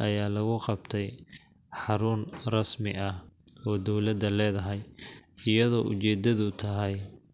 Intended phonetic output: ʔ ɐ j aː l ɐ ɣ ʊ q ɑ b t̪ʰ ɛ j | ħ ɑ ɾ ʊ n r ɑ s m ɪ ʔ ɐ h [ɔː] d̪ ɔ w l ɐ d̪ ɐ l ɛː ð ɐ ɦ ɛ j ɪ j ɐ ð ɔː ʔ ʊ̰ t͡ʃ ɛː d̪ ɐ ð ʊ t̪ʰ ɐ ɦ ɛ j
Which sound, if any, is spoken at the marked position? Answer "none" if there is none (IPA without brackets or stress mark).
ɔː